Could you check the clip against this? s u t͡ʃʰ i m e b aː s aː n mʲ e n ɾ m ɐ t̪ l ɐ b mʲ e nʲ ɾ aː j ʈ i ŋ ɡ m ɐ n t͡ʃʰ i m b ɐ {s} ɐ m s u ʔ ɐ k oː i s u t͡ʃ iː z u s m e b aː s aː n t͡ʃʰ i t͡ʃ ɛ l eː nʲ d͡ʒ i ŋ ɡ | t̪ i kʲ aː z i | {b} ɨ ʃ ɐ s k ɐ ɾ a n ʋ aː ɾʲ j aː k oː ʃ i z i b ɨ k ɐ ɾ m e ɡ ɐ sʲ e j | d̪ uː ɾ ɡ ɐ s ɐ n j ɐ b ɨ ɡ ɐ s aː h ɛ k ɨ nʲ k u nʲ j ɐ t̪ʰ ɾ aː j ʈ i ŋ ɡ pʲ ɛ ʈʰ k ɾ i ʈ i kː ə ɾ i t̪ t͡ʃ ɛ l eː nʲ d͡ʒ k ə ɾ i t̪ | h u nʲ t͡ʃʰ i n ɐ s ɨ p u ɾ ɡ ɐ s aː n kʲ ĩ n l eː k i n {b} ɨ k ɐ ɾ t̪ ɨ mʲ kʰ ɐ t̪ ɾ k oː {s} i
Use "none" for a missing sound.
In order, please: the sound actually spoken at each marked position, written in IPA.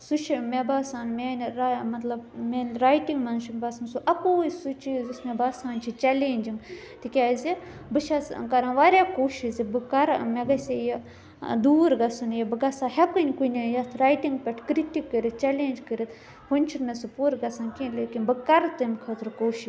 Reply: s, b, b, ʃ

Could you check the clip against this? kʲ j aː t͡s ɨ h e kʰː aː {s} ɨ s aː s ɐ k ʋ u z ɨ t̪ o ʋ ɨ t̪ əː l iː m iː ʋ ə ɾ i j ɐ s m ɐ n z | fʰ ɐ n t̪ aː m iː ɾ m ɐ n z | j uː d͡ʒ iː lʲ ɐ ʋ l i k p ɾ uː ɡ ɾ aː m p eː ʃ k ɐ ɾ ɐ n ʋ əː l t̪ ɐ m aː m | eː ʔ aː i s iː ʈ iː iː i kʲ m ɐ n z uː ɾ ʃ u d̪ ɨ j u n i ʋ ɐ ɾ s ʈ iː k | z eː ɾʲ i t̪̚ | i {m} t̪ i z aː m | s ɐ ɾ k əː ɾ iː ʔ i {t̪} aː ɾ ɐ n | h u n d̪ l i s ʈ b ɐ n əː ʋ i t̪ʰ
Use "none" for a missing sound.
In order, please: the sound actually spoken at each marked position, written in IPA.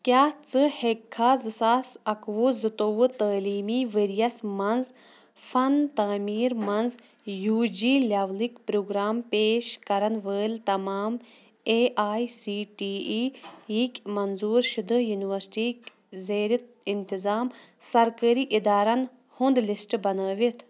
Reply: z, n, d̪

